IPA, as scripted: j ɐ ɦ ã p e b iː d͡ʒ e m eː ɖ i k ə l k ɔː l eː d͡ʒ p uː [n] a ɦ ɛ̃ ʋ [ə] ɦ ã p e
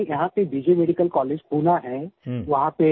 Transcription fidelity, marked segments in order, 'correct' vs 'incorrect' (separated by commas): correct, incorrect